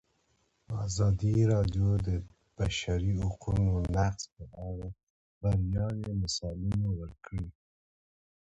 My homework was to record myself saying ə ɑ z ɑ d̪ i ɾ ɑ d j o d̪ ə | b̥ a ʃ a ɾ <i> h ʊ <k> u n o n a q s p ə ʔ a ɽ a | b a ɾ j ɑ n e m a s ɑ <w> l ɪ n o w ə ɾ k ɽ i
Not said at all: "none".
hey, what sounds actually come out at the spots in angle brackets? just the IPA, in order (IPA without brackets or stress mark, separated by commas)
i, q, none